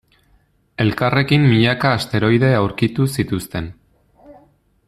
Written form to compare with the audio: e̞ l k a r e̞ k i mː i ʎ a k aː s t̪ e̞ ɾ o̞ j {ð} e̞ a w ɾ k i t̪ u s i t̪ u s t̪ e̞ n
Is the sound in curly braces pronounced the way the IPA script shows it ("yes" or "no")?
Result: yes